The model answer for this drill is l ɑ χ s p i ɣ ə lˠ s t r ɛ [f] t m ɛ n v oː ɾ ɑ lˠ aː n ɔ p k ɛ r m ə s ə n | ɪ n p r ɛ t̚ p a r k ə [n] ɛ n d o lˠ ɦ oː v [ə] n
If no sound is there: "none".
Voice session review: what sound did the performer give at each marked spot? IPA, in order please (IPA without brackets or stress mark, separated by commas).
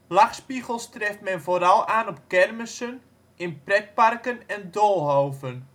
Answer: f, n, ə